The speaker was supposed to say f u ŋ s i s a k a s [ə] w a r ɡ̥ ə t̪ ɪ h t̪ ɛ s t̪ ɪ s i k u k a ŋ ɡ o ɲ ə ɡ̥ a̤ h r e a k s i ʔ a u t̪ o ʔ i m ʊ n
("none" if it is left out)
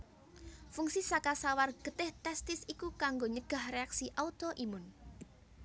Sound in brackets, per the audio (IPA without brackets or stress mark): a